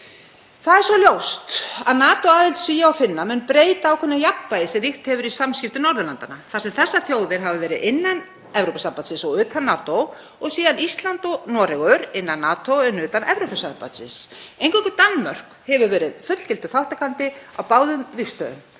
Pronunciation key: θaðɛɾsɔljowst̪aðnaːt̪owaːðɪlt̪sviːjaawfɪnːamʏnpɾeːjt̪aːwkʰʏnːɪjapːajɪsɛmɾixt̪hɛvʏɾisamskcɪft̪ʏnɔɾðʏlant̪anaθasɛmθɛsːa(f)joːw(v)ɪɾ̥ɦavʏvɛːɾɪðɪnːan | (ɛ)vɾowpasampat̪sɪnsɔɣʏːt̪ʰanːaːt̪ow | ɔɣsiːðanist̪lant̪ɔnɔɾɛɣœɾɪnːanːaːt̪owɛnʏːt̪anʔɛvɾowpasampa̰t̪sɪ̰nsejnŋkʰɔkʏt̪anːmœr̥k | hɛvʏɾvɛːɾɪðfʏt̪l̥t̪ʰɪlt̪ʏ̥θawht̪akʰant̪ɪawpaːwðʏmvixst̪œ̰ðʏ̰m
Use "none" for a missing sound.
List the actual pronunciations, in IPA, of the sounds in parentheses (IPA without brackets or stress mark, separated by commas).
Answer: θ, ð, ɛ